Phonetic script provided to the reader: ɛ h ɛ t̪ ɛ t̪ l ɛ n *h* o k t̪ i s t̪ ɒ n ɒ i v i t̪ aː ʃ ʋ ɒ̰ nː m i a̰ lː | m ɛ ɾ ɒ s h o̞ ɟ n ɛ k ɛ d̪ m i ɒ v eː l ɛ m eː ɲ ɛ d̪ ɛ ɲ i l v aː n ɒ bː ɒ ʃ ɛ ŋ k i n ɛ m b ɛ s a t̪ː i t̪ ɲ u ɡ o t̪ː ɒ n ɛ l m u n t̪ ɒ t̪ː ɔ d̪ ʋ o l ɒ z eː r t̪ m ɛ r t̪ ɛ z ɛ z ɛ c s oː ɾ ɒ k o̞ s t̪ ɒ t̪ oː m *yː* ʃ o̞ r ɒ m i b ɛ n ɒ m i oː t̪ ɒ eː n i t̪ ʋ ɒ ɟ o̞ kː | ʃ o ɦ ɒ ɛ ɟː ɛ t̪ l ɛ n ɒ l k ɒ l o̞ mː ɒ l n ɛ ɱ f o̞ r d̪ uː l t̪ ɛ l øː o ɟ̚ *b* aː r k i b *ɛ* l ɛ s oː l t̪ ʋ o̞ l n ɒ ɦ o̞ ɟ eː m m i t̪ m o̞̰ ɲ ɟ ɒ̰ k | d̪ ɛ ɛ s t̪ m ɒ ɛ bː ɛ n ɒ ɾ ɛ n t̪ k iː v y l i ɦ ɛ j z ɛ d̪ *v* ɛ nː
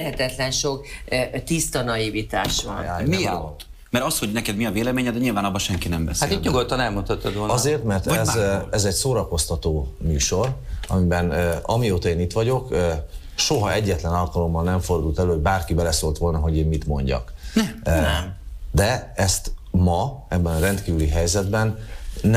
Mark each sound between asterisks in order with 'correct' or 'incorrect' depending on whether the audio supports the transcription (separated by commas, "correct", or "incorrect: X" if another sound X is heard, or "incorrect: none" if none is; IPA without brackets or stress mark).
incorrect: ʃ, correct, correct, correct, incorrect: b